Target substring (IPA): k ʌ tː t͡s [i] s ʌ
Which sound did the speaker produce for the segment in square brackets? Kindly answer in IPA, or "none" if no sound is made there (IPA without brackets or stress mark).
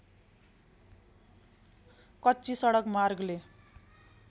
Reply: i